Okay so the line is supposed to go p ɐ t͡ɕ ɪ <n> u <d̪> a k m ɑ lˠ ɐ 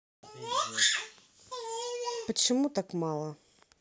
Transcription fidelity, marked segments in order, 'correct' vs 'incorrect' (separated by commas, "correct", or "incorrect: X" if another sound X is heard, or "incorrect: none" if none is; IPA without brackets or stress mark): incorrect: m, incorrect: t̪